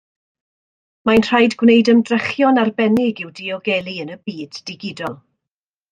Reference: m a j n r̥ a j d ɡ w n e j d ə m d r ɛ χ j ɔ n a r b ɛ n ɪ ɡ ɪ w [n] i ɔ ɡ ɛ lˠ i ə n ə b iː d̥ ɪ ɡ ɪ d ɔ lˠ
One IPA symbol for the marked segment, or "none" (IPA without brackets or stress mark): d